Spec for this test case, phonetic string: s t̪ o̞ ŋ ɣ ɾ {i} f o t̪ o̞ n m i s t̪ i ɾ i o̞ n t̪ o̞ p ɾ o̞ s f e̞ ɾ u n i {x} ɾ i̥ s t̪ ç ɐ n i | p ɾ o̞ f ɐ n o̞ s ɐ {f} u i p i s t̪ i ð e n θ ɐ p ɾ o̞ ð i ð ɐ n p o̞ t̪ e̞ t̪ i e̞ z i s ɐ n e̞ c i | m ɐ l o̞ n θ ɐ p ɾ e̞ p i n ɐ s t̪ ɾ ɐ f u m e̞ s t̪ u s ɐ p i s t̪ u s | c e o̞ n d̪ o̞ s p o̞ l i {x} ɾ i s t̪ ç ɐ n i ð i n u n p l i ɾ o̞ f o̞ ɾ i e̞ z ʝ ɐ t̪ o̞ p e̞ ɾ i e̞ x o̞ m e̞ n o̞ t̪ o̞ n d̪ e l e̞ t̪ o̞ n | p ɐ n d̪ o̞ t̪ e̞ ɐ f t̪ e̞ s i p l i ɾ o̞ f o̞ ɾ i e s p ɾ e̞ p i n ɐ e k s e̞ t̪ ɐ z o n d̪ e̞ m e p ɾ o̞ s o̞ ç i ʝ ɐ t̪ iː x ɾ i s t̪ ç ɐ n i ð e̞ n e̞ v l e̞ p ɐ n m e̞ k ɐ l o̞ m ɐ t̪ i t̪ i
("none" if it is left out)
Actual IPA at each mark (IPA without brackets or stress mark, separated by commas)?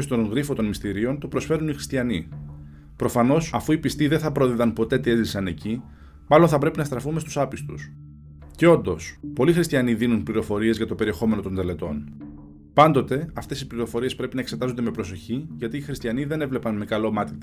i, x, f, x